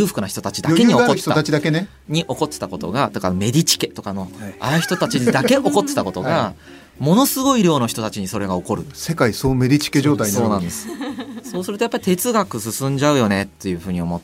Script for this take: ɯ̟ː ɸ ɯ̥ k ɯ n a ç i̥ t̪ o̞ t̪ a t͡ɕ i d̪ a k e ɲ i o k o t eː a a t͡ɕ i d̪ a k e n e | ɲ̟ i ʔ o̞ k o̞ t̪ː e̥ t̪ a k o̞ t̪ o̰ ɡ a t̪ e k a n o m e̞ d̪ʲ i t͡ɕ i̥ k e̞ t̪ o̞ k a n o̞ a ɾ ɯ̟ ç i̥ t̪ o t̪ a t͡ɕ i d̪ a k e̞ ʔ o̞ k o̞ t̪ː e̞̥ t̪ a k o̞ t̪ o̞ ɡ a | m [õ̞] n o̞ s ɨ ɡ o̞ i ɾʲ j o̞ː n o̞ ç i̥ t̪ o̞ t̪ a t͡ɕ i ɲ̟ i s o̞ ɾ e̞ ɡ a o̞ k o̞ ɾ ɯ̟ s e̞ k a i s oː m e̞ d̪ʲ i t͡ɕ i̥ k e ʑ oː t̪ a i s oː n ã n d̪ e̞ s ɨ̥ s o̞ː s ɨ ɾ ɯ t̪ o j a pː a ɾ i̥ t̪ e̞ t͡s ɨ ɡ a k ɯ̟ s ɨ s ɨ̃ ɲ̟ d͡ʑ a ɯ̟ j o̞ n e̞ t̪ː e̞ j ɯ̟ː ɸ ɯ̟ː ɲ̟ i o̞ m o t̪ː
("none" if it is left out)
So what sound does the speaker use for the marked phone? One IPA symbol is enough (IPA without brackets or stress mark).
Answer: o̞